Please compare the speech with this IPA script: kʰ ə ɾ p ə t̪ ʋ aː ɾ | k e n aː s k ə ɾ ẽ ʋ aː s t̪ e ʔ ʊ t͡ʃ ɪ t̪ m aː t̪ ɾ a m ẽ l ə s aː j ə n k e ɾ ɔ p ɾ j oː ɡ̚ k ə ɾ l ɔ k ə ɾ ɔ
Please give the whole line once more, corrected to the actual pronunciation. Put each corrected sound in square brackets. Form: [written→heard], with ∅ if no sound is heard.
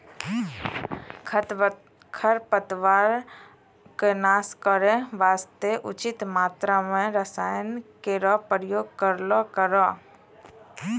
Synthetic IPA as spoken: kʰ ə ɾ p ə t̪ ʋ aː ɾ | k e n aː s k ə ɾ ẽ ʋ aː s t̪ e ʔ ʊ t͡ʃ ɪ t̪ m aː t̪ ɾ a m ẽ [l→ɾ] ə s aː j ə n k e ɾ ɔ p ɾ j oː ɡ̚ k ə ɾ l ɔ k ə ɾ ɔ